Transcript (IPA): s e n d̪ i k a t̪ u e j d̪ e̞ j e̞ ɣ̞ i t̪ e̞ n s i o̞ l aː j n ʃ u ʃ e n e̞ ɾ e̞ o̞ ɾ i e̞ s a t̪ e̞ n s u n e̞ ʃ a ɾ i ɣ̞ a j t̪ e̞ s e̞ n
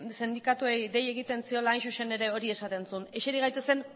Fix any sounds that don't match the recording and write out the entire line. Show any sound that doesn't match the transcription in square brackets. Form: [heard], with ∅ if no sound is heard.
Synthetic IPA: s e n d̪ i k a t̪ u e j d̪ e̞ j e̞ ɣ̞ i t̪ e̞ n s i o̞ l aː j n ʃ u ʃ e n e̞ ɾ e̞ o̞ ɾ i e̞ s a t̪ e̞ n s u n e̞ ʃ [e] ɾ i ɣ̞ a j t̪ e̞ s e̞ n